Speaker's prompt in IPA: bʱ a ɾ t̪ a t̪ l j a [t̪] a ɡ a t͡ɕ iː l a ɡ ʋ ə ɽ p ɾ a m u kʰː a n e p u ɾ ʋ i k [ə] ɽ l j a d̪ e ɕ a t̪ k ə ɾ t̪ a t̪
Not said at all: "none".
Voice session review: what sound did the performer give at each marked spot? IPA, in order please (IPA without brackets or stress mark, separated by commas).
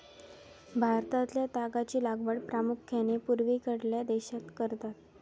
t̪, ə